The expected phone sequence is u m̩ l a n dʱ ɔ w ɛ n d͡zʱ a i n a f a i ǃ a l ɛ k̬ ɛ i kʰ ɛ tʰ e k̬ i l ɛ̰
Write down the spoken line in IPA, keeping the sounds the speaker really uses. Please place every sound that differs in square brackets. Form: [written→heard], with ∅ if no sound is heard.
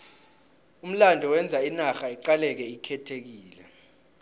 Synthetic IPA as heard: u m̩ l a n dʱ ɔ w ɛ n d͡zʱ a i n a [f→x] a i ǃ a l ɛ k̬ ɛ i kʰ ɛ tʰ e k̬ [i→iː] l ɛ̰